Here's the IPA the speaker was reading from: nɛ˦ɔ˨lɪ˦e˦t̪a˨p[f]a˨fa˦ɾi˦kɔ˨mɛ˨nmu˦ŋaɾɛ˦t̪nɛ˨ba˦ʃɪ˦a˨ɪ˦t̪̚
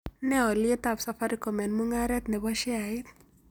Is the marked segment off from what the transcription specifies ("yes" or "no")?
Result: yes